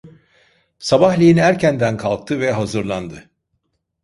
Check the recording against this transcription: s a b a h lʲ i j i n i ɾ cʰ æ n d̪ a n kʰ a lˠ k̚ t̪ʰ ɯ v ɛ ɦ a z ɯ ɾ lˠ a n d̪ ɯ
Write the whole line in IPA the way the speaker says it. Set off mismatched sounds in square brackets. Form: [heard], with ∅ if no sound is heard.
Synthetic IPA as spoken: s a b a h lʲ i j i n [æ] ɾ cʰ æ n d̪ [æ] n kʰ a lˠ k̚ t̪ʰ ɯ v ɛ ɦ a z ɯ ɾ lˠ a n d̪ ɯ

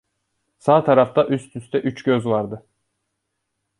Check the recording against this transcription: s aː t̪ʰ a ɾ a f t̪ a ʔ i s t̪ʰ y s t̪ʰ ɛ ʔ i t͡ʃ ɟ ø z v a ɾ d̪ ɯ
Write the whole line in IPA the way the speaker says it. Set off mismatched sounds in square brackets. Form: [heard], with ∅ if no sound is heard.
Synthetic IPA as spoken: s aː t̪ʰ a ɾ a f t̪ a ʔ [y] s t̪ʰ y s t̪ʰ ɛ ʔ [y] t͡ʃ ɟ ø z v a ɾ d̪ ɯ

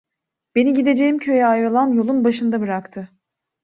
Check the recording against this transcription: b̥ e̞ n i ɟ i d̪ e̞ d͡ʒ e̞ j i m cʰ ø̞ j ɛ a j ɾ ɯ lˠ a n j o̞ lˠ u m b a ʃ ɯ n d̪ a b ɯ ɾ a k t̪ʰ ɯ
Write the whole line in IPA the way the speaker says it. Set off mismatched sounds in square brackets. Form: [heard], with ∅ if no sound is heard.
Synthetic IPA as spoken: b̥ e̞ n i ɟ i d̪ e̞ d͡ʒ e̞ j i m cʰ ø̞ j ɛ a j ɾ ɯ lˠ a n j o̞ lˠ u [n] b a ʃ ɯ n d̪ a b ɯ ɾ a k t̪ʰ ɯ

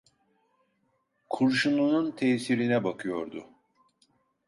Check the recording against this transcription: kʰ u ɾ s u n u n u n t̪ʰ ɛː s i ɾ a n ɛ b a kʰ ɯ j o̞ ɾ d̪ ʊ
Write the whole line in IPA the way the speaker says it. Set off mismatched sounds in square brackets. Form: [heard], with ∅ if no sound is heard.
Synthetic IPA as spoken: kʰ u ɾ [ʃ] u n u n u n t̪ʰ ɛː s i ɾ [i] n ɛ b a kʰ ɯ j o̞ ɾ d̪ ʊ

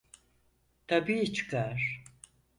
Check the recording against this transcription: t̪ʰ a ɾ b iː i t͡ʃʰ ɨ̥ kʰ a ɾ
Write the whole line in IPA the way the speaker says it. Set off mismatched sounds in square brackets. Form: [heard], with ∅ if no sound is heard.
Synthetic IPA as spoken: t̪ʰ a [∅] b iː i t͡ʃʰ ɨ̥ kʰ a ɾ

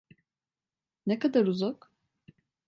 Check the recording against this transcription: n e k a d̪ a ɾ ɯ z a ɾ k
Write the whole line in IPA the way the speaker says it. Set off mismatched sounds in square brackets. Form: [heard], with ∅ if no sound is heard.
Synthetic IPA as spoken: n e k a d̪ a ɾ [u] z a [∅] k

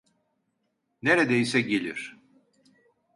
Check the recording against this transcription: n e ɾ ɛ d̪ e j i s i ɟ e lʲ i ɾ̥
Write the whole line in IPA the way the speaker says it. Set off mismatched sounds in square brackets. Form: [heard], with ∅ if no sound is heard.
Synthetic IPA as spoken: n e ɾ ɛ d̪ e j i s [ɛ] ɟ e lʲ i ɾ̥

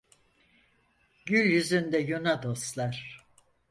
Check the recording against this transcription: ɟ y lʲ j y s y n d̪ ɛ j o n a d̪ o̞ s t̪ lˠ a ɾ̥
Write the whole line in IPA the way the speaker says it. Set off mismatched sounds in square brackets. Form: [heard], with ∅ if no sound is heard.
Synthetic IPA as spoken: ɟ y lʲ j y [z] y n d̪ ɛ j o n a d̪ o̞ s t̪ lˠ a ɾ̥

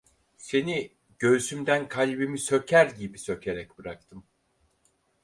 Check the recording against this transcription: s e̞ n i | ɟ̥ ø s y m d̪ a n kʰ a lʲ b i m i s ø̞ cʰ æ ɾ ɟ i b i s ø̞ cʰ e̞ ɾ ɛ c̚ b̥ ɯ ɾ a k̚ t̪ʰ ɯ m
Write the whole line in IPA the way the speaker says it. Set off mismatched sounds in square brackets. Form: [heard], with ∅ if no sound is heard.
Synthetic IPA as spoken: s e̞ n i | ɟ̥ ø s y m d̪ [æ] n kʰ a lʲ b i m i s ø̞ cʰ æ ɾ ɟ i b i s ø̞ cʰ e̞ ɾ ɛ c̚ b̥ ɯ ɾ a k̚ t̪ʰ ɯ m

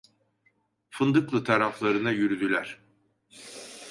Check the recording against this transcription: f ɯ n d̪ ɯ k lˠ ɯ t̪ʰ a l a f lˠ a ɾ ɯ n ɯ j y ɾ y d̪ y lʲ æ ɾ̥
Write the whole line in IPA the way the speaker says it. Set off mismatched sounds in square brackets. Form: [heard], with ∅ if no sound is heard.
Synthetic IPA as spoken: f ɯ n d̪ ɯ k lˠ ɯ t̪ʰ a [ɾ] a f lˠ a ɾ ɯ n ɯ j y ɾ y d̪ y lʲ æ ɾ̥

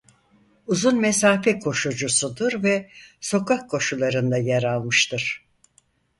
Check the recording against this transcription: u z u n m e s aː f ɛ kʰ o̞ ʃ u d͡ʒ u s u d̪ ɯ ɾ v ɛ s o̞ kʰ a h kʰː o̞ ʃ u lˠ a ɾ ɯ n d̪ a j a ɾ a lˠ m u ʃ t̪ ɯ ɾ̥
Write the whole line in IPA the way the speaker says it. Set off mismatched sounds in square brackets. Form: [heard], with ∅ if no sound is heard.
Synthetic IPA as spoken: u z u n m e s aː f ɛ kʰ o̞ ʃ u d͡ʒ u s u d̪ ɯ ɾ v ɛ s o̞ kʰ a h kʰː o̞ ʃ u lˠ a ɾ ɯ n d̪ a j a ɾ a lˠ m [ɯ] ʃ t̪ ɯ ɾ̥

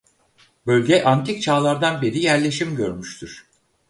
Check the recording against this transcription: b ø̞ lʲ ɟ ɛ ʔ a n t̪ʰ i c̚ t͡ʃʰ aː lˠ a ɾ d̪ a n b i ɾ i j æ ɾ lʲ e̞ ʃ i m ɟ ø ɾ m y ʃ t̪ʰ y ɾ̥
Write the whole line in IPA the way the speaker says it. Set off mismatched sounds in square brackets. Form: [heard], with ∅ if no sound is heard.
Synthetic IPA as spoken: b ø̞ lʲ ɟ ɛ ʔ a n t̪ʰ i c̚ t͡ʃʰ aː lˠ a ɾ d̪ a n b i ɾ i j æ ɾ lʲ e̞ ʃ i m ɟ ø ɾ m y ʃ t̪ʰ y ɾ̥

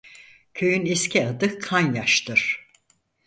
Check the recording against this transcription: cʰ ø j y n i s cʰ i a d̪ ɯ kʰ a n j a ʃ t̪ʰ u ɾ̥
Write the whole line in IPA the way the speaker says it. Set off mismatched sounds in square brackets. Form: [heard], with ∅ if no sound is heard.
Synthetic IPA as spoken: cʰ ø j y n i s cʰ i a d̪ ɯ kʰ a n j a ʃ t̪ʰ [ɯ] ɾ̥

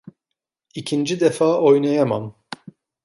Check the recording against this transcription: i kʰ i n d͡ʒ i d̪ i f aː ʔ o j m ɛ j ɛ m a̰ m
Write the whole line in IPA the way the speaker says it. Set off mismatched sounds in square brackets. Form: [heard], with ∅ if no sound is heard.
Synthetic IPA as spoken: i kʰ i n d͡ʒ i d̪ [ɛ] f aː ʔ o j [n] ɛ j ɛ m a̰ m

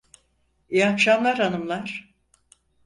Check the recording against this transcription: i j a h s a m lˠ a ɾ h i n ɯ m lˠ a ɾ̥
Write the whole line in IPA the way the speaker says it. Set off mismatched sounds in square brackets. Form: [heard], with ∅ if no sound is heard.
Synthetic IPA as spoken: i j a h [ʃ] a m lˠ a ɾ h [a] n ɯ m lˠ a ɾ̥

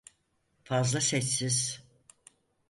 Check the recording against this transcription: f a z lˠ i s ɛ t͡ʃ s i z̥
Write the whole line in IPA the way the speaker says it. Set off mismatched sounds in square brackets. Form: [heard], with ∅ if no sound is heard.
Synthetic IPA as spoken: f a z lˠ [a] s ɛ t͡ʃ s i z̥

